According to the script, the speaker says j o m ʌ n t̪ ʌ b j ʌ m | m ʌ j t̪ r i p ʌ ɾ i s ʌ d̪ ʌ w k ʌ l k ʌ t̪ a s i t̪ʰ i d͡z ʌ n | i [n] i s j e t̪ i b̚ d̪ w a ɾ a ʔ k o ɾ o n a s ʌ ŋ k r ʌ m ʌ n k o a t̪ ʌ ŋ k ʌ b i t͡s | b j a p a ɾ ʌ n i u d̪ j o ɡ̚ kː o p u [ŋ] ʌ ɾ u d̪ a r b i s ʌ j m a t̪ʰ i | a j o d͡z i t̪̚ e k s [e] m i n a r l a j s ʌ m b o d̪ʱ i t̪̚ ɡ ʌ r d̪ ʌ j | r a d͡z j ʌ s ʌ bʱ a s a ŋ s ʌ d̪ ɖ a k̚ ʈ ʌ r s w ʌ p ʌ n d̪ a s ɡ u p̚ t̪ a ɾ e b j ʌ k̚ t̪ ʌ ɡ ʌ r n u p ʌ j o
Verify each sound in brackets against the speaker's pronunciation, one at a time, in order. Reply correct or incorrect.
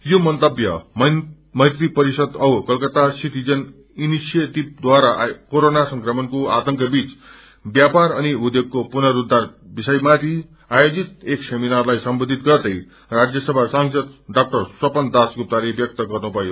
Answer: correct, incorrect, correct

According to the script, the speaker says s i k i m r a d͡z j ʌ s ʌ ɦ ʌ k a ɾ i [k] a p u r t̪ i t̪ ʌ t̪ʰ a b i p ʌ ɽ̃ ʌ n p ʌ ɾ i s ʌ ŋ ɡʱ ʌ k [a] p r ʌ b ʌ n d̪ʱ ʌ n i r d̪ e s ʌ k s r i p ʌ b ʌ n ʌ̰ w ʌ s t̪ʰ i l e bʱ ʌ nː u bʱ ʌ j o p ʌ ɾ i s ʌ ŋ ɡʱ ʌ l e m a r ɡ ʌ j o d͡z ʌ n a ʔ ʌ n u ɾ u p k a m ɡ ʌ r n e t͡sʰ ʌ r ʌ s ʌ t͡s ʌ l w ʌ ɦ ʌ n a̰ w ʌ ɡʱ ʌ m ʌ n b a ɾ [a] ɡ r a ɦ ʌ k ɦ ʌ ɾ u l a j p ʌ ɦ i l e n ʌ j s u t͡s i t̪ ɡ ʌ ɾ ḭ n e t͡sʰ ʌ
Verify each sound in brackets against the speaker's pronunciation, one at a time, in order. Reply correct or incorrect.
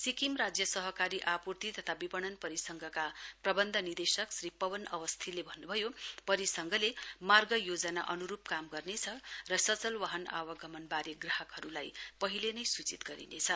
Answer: incorrect, correct, incorrect

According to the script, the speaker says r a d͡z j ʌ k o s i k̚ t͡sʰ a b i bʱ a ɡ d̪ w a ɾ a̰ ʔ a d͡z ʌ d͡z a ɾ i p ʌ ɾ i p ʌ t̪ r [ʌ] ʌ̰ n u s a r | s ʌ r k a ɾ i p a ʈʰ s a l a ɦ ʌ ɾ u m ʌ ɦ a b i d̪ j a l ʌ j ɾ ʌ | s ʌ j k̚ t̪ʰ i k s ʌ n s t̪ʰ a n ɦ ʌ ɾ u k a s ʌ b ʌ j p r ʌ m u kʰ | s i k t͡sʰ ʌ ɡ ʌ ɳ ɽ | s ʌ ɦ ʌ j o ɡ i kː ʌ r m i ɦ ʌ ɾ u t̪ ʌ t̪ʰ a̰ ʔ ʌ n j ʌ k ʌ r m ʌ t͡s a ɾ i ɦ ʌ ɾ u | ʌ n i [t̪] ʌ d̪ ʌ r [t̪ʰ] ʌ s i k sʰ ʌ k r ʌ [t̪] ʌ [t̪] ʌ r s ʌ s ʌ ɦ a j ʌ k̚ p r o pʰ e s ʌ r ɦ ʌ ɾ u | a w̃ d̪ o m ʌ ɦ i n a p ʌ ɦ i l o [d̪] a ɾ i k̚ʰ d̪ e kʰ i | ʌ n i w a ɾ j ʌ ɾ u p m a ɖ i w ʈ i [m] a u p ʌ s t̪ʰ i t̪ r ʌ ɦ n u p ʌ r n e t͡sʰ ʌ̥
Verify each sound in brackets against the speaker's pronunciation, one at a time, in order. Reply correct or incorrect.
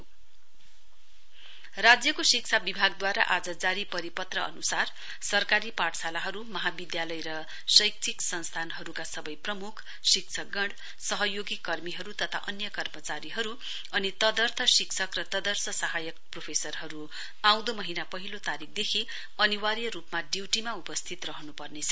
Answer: correct, correct, correct, correct, incorrect, incorrect, correct

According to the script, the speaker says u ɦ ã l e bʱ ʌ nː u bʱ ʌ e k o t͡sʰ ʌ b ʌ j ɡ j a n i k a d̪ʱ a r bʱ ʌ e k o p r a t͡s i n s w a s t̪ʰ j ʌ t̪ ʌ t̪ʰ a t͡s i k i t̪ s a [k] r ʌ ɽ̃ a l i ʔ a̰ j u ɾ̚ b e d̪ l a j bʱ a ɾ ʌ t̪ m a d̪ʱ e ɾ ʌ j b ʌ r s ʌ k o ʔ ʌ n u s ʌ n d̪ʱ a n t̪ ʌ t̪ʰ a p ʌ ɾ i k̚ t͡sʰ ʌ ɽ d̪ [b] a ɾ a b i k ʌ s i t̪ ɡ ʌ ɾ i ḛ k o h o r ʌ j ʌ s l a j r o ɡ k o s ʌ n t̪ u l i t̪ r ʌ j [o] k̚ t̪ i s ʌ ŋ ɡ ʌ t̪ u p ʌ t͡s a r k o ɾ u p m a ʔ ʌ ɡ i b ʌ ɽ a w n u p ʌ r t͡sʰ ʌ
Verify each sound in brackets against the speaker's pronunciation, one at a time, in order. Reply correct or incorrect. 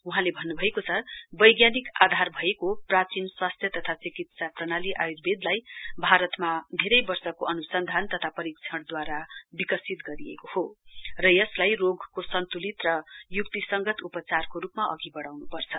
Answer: incorrect, incorrect, incorrect

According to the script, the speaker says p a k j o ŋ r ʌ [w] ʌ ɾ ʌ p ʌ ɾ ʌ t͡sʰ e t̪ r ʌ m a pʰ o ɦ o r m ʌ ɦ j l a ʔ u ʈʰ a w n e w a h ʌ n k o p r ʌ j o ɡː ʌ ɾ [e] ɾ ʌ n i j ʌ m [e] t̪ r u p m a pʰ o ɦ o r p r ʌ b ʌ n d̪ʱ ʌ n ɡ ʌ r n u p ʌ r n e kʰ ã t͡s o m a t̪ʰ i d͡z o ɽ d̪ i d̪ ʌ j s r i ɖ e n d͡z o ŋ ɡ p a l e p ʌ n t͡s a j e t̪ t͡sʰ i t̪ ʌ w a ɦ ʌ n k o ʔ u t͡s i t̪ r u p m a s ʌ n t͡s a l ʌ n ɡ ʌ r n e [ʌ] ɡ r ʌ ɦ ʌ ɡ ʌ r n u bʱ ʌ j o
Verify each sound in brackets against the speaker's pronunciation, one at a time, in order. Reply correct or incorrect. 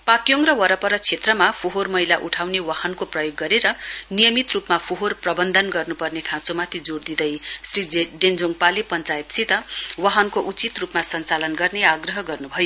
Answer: correct, correct, incorrect, incorrect

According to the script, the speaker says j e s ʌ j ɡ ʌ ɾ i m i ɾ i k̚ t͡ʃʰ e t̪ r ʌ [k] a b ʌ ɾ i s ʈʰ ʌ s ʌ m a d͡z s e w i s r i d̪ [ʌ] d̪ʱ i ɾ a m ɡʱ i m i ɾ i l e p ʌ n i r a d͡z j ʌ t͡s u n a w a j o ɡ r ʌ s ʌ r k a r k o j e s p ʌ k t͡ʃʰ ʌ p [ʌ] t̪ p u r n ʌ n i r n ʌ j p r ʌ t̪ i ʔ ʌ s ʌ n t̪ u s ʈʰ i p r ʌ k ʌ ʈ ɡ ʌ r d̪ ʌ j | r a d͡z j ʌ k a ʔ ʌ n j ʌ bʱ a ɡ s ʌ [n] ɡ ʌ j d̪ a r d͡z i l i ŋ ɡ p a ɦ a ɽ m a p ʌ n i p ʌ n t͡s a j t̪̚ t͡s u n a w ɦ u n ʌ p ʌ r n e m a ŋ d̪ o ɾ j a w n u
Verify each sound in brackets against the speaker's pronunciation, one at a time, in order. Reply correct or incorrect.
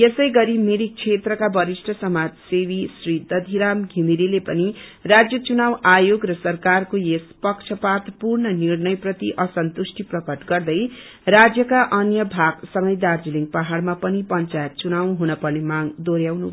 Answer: correct, correct, incorrect, incorrect

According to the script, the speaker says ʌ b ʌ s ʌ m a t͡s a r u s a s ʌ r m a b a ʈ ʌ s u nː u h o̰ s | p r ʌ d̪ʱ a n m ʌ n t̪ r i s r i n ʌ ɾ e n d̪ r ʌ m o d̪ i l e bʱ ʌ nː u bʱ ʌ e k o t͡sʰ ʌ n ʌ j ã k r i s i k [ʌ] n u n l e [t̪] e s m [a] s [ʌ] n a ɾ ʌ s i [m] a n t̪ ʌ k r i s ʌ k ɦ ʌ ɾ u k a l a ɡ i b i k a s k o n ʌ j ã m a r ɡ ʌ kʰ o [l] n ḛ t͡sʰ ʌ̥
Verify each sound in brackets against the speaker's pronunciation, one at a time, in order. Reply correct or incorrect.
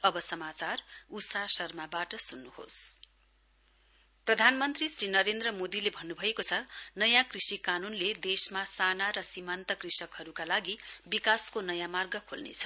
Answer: incorrect, incorrect, correct, incorrect, correct, correct

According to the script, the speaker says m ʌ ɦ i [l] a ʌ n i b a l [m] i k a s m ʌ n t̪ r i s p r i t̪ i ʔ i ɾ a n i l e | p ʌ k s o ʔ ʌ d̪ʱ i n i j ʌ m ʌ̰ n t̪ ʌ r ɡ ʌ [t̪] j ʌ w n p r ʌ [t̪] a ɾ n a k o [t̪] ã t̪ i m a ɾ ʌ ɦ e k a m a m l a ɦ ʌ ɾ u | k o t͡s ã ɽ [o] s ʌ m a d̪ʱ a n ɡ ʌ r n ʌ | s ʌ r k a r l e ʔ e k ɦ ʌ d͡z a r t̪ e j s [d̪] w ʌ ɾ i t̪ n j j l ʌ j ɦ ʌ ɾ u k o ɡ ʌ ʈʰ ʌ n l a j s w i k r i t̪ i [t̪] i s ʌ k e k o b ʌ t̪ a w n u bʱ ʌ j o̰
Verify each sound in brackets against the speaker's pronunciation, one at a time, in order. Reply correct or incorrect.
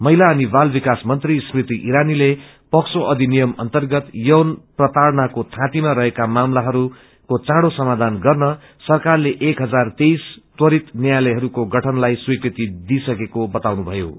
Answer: correct, incorrect, correct, correct, incorrect, correct, incorrect, incorrect

